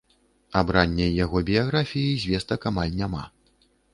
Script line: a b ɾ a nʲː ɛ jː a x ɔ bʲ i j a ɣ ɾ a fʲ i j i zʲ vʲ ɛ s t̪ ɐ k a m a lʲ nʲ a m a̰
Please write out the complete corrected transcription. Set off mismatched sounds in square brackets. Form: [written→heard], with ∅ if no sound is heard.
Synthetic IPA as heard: a b ɾ a nʲː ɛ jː a [x→ɣ] ɔ bʲ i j a ɣ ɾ a fʲ i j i zʲ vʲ ɛ s t̪ ɐ k a m a lʲ nʲ a m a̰